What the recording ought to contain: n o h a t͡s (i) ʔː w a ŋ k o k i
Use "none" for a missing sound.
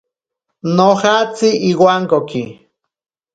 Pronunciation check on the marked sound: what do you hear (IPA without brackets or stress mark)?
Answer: i